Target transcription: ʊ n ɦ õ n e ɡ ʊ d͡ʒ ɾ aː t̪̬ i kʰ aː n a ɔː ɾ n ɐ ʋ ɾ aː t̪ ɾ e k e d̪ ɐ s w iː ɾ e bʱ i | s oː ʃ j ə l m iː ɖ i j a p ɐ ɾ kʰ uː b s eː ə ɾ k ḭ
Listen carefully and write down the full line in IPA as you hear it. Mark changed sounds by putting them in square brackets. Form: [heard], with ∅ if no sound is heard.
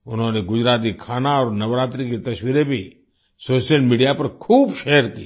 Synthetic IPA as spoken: ʊ n ɦ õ n e ɡ ʊ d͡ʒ ɾ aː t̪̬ i kʰ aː n a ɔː ɾ n ɐ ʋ ɾ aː t̪ ɾ [i] k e [t̪] ɐ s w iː ɾ e bʱ i | s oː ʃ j ə l m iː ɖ i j a p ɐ ɾ kʰ uː b [ʃ] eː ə ɾ k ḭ